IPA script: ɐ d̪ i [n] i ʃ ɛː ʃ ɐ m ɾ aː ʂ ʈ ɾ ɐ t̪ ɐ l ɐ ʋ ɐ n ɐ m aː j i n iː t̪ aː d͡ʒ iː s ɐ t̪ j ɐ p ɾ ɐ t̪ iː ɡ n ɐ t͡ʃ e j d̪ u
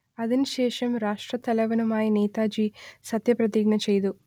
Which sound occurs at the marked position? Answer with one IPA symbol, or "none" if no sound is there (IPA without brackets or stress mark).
n